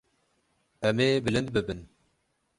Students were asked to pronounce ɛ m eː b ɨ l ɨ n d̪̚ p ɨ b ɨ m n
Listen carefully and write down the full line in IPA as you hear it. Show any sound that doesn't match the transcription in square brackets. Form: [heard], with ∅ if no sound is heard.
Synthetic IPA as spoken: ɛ m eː b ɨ l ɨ n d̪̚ [b] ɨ b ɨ [∅] n